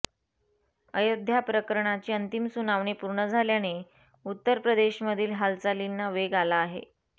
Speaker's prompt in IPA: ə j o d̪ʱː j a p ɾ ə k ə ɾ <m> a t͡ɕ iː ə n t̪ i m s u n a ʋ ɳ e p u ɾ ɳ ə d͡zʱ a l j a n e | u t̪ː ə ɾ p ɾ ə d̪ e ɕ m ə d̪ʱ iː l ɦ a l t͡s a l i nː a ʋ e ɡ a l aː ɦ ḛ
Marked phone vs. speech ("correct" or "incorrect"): incorrect